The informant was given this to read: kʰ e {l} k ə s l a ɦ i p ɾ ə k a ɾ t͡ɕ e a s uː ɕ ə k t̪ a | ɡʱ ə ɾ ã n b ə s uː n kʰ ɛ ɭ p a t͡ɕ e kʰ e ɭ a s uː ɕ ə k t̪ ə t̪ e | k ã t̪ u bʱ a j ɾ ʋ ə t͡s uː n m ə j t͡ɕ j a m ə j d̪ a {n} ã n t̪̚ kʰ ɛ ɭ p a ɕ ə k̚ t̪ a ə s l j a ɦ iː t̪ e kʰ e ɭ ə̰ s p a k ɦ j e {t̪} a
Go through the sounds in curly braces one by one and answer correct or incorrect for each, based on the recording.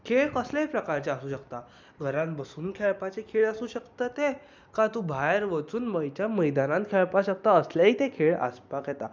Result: incorrect: ɭ, correct, correct

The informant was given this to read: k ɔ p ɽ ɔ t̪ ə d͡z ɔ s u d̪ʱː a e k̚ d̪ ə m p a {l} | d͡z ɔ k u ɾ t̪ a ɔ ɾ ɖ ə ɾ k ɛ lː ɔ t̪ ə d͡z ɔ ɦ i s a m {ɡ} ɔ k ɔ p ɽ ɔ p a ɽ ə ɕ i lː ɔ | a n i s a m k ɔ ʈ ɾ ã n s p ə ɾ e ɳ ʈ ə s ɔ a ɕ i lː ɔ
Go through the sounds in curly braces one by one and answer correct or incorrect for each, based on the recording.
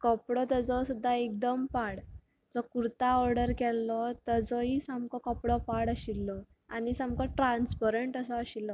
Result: incorrect: ɽ, incorrect: k

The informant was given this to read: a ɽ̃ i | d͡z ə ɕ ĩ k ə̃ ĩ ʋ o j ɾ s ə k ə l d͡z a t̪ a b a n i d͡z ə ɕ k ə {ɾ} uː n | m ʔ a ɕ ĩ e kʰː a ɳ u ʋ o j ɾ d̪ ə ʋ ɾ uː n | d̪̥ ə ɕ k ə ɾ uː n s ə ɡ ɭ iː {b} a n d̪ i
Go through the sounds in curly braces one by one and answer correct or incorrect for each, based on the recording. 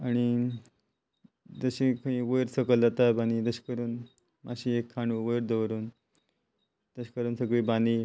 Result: correct, correct

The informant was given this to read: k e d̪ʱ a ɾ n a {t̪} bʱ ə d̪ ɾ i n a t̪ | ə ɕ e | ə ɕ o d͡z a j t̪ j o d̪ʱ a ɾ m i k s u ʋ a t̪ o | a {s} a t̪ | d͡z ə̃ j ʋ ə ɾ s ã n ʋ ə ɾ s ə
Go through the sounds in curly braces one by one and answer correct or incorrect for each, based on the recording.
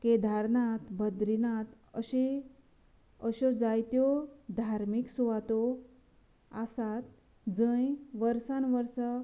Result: correct, correct

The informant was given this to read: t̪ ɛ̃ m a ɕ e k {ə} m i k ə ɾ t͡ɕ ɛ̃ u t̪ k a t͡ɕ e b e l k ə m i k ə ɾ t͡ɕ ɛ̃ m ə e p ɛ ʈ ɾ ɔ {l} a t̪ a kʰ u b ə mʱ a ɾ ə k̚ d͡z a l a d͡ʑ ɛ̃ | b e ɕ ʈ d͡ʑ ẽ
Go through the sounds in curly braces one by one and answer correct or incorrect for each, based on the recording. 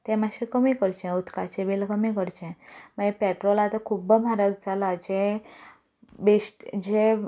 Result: correct, correct

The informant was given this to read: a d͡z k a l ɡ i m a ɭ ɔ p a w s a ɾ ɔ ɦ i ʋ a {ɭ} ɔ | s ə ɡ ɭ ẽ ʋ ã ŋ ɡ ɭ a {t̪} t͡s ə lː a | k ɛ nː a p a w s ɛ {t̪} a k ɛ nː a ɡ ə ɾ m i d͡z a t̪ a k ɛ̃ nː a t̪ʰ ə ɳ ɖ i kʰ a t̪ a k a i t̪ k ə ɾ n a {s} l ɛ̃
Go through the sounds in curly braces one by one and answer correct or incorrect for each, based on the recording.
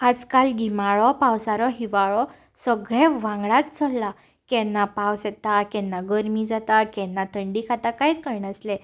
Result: correct, correct, correct, correct

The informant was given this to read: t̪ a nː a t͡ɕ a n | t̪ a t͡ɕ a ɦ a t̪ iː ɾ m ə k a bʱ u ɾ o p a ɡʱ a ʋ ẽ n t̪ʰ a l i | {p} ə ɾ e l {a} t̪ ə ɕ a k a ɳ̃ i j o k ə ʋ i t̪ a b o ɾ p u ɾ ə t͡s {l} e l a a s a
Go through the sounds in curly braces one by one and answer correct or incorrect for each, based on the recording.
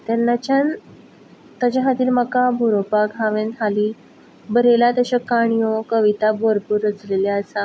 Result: incorrect: b, correct, correct

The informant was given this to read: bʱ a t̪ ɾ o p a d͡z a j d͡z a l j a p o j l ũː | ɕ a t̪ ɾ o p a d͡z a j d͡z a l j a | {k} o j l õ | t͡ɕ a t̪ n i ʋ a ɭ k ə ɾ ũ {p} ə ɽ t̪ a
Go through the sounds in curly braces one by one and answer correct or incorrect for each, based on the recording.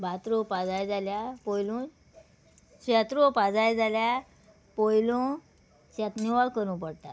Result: incorrect: p, correct

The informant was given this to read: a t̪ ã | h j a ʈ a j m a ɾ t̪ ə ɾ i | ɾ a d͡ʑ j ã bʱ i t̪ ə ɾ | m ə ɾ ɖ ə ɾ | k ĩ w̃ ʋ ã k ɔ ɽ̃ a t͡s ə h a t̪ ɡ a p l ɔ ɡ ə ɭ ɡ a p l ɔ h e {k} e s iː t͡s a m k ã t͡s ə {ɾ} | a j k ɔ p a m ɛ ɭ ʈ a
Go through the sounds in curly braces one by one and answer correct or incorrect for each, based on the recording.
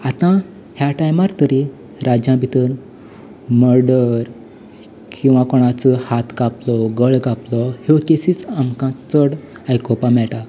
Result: correct, incorrect: ɽ

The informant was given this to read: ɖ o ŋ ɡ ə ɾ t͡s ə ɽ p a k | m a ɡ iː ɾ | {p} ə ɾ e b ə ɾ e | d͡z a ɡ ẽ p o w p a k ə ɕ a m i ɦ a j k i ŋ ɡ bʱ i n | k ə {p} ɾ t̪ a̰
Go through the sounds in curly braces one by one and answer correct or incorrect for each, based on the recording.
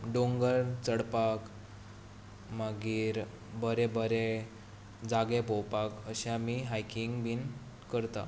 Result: incorrect: b, incorrect: none

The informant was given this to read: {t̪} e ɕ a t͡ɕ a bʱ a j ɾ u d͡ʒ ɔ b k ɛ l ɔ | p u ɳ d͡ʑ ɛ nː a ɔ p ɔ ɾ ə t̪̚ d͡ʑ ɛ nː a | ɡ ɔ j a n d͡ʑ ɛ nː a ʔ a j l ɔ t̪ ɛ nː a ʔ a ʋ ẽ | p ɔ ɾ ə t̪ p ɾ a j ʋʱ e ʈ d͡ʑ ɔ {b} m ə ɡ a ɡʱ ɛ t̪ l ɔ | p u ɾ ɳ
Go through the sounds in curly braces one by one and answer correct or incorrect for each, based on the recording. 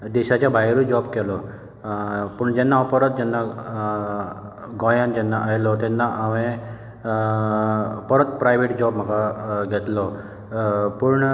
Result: incorrect: d̪, correct

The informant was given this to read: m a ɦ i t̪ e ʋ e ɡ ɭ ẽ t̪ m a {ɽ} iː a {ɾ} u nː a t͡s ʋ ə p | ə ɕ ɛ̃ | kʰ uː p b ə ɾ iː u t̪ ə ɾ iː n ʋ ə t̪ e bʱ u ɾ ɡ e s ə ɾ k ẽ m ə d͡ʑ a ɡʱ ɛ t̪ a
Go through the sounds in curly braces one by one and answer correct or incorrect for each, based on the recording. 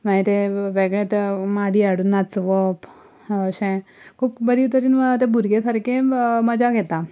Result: correct, incorrect: ɽ

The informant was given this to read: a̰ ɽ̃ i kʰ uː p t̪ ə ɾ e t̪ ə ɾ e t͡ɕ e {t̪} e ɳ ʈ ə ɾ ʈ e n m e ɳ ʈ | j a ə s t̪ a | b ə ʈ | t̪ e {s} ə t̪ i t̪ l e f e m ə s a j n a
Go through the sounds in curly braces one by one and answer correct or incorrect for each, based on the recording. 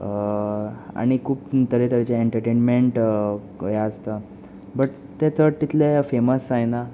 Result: incorrect: none, incorrect: t͡s

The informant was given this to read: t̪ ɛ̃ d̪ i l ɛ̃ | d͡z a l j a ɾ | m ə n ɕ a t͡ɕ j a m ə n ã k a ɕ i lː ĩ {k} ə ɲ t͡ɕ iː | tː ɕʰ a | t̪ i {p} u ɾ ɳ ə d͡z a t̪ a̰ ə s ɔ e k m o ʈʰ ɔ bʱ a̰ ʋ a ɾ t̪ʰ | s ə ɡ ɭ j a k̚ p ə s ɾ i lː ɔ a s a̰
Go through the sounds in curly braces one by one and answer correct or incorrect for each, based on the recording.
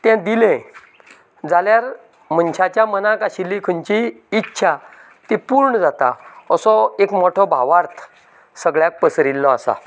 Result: incorrect: kʰ, correct

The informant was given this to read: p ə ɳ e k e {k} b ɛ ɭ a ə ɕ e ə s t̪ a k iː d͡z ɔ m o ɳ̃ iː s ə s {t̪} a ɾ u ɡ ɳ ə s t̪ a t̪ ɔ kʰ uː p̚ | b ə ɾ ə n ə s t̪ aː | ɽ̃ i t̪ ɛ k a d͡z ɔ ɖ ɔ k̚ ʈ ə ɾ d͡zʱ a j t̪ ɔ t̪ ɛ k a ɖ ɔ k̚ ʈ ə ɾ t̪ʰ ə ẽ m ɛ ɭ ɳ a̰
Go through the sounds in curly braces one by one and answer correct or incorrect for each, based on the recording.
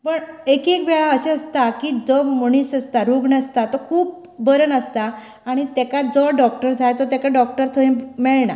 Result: correct, correct

